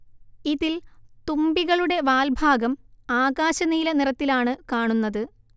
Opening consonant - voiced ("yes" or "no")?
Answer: yes